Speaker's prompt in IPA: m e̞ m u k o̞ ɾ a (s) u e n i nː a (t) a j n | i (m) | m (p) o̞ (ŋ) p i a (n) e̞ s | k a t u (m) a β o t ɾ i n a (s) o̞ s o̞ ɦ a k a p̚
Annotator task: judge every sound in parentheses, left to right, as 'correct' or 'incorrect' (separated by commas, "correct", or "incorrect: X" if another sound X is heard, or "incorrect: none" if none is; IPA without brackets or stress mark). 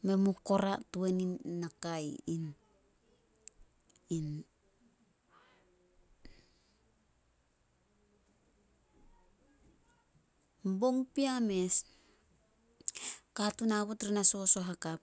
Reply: incorrect: t, incorrect: k, incorrect: n, incorrect: b, correct, incorrect: m, incorrect: n, correct